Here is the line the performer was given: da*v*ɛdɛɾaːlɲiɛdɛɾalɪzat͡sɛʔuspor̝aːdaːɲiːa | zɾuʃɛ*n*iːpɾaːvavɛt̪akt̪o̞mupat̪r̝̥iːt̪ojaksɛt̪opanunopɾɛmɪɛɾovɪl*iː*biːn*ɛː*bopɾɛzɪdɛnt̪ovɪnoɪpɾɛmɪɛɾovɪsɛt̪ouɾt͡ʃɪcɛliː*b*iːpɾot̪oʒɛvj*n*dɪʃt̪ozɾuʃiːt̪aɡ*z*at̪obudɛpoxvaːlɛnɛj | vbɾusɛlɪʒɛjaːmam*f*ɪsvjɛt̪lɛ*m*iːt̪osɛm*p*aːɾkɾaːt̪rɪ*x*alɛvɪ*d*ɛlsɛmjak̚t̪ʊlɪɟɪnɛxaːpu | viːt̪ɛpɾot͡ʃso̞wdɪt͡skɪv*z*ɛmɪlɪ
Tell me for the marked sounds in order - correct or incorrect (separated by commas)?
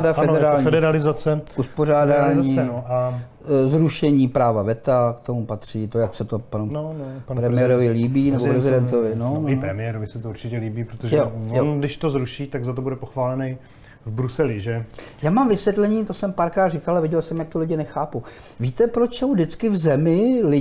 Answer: incorrect, incorrect, correct, incorrect, correct, correct, correct, incorrect, incorrect, correct, incorrect, incorrect, correct